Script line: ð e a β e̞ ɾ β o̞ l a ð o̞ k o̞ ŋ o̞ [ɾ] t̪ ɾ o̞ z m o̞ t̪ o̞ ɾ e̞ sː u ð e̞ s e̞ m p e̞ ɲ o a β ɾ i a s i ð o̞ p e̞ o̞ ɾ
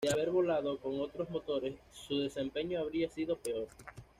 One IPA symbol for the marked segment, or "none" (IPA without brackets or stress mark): none